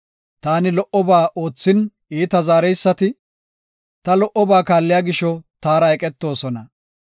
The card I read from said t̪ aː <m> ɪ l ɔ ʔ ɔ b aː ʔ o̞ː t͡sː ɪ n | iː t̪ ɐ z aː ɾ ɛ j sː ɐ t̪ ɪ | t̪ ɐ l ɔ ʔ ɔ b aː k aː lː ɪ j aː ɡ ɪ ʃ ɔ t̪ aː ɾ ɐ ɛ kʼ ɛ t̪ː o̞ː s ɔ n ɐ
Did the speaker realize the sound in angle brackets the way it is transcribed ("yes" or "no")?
no